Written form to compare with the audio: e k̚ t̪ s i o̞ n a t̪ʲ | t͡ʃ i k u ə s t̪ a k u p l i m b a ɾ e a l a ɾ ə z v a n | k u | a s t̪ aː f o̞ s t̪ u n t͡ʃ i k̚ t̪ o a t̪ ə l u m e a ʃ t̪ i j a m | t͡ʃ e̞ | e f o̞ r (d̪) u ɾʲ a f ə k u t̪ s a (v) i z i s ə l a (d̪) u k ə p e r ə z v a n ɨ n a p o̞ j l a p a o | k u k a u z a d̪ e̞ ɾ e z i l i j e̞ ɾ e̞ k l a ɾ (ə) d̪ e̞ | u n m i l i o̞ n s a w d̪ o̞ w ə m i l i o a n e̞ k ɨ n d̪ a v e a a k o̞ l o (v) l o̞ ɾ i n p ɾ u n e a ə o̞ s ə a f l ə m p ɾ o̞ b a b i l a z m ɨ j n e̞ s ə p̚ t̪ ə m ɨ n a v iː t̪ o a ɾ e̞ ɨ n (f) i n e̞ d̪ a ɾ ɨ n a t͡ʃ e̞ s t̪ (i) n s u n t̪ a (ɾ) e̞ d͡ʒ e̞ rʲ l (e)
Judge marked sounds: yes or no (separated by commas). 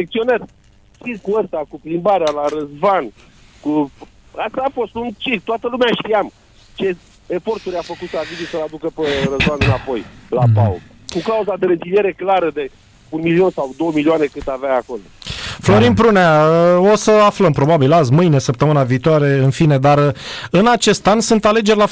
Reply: no, yes, yes, yes, no, yes, no, no, no